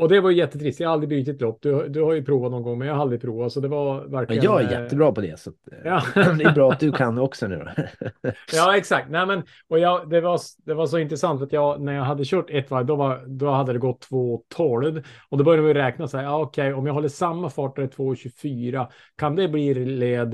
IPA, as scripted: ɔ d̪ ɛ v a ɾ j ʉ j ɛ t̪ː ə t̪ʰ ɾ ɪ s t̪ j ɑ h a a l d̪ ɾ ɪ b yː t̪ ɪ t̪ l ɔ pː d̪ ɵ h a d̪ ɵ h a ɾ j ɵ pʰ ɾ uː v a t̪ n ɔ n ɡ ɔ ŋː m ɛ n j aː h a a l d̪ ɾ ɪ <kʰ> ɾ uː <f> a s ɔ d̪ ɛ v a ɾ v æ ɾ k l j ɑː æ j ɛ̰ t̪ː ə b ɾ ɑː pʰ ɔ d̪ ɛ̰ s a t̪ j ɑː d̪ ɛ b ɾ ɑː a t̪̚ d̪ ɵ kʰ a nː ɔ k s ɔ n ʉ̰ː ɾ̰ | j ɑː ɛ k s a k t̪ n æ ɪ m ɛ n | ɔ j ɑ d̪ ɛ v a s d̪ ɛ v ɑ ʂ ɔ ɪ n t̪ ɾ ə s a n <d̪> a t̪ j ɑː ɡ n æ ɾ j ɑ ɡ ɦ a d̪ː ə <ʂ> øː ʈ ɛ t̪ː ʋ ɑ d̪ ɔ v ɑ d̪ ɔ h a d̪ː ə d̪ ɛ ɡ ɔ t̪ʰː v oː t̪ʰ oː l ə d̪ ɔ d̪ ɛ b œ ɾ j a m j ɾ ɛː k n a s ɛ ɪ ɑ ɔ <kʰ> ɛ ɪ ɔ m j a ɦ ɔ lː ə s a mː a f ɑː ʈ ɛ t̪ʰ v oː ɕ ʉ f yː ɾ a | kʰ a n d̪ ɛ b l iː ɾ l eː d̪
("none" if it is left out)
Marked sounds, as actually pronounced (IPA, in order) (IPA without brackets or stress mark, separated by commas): pʰ, v, t̪, ɕ, kʰ